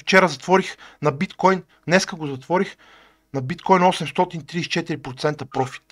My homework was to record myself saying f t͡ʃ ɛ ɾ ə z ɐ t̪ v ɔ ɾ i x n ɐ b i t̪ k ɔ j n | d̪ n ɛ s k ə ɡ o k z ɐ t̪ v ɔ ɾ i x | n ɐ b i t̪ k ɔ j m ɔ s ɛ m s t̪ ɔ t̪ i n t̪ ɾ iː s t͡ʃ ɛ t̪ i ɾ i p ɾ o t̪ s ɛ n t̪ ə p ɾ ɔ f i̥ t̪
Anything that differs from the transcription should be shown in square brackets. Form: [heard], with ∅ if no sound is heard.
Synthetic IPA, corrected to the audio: f t͡ʃ ɛ ɾ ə z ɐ t̪ v ɔ ɾ i x n ɐ b i t̪ k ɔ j n | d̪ n ɛ s k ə ɡ o [∅] z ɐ t̪ v ɔ ɾ i x | n ɐ b i t̪ k ɔ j [n] ɔ s ɛ m s t̪ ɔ t̪ i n t̪ ɾ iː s t͡ʃ ɛ t̪ i ɾ i p ɾ o t̪ s ɛ n t̪ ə p ɾ ɔ f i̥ t̪